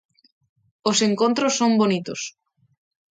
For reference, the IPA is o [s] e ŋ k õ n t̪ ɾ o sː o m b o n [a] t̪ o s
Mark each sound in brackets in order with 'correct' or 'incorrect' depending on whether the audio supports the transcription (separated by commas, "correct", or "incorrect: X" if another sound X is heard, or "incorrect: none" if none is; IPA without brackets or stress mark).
correct, incorrect: i